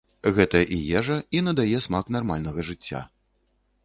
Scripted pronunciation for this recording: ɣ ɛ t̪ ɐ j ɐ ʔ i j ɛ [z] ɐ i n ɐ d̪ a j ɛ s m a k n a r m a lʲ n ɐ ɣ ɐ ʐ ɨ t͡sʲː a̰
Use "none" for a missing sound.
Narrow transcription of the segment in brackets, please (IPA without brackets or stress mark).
ʐ